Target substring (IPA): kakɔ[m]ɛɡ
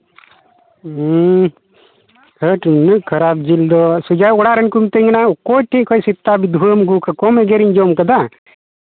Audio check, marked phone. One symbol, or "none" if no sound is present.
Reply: m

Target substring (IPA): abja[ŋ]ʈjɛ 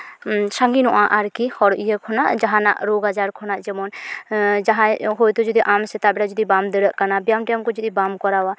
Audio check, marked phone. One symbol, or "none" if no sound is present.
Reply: m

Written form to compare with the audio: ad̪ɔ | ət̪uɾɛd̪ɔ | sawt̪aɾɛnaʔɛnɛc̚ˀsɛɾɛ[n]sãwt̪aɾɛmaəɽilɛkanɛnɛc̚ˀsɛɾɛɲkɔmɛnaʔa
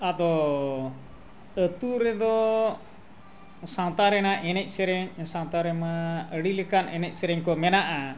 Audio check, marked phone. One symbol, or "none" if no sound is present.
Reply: ɲ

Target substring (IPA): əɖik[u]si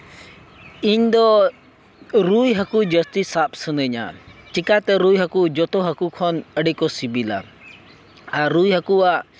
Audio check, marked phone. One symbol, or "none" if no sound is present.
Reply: ɔ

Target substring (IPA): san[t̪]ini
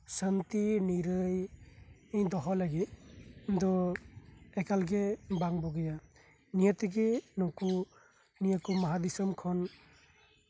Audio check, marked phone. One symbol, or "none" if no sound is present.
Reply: t̪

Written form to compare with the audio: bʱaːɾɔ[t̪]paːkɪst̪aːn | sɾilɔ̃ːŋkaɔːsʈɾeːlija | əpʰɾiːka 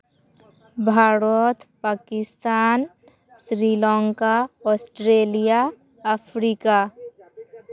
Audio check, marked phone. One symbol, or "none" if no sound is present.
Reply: t̪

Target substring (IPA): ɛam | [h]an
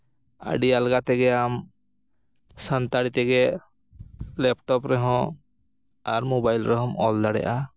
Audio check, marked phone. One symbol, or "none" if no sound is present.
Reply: s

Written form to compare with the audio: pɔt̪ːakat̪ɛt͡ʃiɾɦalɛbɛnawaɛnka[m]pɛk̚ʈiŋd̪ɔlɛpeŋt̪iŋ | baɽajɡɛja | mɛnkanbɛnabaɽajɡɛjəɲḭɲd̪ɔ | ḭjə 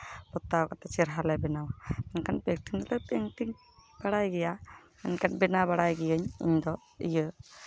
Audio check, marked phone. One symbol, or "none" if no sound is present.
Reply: n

